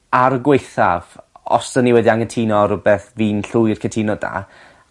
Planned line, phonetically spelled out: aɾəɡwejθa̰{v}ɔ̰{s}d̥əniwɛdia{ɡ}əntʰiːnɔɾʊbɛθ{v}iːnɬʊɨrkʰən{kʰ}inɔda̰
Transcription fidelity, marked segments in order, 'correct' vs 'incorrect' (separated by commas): correct, correct, incorrect, correct, incorrect